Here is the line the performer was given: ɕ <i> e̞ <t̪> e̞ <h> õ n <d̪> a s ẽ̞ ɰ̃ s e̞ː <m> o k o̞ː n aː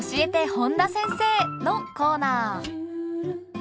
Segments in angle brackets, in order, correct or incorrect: correct, correct, correct, correct, incorrect: n

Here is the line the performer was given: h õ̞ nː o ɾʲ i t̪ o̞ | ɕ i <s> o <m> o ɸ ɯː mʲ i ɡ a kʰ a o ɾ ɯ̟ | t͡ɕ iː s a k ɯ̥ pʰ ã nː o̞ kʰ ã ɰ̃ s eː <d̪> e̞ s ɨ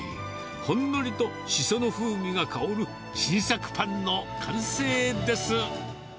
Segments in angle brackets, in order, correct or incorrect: correct, incorrect: n, correct

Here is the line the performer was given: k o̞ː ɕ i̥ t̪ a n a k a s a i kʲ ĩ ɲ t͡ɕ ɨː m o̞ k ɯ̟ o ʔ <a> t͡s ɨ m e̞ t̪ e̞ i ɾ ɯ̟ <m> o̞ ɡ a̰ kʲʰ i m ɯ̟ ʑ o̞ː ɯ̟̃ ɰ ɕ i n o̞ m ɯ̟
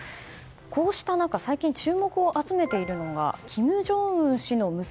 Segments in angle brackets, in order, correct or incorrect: correct, incorrect: n

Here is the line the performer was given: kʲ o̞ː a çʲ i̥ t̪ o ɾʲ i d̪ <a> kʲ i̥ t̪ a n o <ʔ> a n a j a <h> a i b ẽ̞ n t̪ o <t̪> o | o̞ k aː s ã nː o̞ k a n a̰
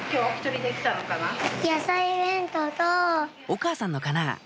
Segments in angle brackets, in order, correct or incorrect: incorrect: e, incorrect: k, incorrect: s, correct

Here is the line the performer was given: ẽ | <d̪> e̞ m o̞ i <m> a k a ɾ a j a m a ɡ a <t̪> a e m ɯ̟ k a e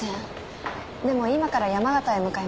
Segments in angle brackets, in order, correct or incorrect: correct, correct, correct

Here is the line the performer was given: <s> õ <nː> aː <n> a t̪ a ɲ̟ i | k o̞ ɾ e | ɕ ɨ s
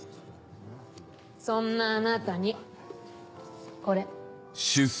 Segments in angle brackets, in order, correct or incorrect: correct, correct, correct

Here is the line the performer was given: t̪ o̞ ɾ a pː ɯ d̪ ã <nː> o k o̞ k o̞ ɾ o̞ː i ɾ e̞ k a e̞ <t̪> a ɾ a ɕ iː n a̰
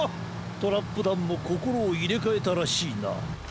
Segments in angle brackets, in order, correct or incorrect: incorrect: mː, correct

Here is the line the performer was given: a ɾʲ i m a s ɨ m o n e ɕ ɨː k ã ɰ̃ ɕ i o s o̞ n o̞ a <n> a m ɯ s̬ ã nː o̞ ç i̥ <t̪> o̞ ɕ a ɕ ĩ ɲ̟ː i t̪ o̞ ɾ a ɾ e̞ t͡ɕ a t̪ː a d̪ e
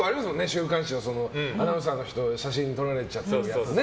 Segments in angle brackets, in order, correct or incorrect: correct, correct

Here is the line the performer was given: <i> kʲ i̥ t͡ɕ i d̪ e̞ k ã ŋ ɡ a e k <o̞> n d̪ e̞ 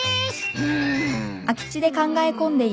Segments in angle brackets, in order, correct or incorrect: incorrect: a, incorrect: õ̞

